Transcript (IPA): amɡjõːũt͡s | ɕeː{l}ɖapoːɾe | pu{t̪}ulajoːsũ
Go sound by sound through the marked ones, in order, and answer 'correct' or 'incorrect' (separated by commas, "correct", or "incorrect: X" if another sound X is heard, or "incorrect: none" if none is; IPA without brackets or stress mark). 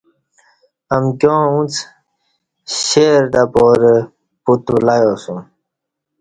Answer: incorrect: ɾ, correct